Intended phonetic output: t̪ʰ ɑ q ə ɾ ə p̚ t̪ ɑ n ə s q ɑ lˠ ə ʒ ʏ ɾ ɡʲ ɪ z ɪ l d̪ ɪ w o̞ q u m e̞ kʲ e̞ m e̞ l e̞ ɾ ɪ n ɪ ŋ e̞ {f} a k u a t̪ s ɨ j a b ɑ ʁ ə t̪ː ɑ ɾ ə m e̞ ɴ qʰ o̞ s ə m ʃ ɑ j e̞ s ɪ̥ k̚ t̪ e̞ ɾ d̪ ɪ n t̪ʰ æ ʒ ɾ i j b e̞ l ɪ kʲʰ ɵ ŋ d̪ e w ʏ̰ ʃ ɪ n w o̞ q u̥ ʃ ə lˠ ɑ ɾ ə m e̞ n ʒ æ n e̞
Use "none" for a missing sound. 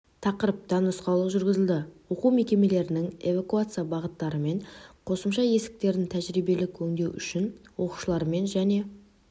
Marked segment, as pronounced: v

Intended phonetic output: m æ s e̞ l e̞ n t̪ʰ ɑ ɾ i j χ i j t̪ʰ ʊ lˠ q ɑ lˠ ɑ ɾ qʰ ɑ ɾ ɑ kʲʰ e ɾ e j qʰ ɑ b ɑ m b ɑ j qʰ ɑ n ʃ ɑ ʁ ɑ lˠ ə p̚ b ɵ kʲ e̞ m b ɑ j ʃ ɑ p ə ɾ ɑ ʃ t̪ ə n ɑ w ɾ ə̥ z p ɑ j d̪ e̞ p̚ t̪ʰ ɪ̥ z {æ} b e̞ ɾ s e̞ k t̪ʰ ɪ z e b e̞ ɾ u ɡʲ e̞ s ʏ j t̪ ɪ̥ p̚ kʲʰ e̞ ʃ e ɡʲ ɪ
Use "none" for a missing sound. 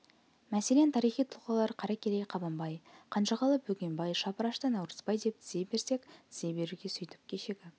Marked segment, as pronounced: e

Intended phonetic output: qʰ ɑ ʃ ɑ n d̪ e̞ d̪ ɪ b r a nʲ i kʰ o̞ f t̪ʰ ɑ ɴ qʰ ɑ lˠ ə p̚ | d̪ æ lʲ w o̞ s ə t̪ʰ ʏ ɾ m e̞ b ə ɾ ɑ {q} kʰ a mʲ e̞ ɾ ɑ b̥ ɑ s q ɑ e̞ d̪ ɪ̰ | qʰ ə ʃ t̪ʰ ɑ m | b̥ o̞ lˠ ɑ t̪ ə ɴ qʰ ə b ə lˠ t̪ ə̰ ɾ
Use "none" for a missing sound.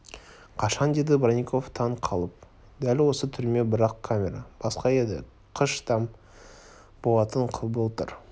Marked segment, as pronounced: q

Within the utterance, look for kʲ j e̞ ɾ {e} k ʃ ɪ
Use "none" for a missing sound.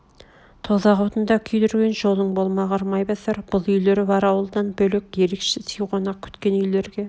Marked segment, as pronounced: e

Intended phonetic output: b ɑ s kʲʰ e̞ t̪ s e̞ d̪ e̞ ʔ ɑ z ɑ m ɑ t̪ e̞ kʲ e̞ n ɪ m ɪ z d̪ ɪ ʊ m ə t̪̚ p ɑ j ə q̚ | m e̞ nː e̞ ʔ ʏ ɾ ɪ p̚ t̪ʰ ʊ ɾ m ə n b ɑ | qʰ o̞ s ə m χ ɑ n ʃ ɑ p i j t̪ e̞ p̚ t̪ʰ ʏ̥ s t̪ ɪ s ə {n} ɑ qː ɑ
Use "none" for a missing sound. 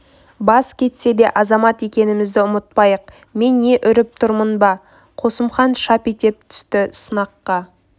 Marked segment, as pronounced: n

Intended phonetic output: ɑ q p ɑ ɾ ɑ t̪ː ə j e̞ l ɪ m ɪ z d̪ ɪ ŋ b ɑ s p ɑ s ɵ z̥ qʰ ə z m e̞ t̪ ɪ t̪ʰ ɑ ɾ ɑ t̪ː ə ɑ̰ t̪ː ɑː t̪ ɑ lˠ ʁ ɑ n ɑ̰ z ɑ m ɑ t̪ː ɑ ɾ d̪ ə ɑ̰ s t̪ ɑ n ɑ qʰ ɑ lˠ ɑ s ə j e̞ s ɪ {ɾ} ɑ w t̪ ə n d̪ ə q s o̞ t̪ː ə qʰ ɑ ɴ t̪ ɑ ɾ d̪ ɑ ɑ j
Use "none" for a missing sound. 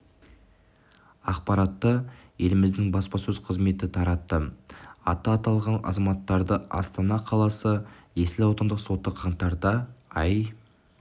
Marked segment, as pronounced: l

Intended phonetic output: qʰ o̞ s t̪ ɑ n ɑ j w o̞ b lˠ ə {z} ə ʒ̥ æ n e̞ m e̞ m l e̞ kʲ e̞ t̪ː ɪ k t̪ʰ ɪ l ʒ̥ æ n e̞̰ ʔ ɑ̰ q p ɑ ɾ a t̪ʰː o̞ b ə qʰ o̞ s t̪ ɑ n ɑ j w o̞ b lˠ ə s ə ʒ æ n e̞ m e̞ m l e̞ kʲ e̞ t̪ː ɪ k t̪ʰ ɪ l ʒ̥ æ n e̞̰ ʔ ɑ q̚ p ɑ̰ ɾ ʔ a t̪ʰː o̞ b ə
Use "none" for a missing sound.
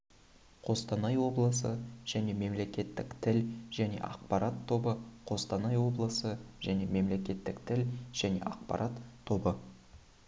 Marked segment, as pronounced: s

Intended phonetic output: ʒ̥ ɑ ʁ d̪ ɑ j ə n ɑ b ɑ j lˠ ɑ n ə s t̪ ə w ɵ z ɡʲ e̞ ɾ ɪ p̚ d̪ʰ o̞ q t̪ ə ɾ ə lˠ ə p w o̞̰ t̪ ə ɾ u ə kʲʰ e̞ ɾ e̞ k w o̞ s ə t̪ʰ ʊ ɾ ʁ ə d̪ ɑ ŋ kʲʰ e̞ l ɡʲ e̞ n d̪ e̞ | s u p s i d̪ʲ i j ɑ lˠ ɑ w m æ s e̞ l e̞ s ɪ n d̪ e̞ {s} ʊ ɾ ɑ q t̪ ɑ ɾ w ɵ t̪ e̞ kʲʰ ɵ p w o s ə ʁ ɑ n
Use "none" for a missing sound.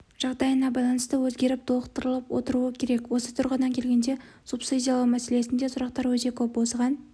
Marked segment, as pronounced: s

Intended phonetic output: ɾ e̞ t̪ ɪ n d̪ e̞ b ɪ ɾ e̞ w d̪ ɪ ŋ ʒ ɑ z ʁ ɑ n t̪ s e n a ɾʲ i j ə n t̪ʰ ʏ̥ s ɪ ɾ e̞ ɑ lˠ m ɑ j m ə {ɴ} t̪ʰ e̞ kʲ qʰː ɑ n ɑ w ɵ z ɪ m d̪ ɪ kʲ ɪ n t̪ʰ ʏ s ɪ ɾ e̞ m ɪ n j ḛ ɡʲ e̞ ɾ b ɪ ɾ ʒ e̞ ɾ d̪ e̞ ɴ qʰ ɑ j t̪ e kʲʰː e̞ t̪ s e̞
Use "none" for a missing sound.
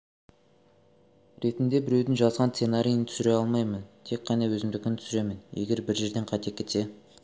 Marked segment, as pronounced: n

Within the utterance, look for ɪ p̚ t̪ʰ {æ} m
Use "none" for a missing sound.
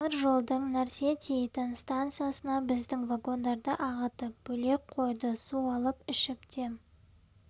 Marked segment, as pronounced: e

